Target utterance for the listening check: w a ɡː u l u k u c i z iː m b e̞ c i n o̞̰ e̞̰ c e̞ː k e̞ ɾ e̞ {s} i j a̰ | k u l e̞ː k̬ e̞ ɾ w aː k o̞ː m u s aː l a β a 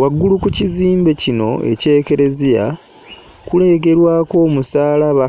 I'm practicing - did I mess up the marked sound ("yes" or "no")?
yes